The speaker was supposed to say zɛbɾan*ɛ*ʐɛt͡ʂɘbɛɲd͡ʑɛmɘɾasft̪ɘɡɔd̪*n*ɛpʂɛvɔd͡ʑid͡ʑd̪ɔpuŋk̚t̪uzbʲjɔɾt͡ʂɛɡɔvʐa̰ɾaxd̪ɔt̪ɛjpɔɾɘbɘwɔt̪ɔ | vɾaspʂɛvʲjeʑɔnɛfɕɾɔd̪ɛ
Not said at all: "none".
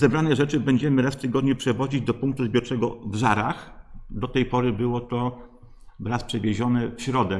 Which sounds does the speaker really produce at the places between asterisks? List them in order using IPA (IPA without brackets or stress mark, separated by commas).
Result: ɛ, ɲ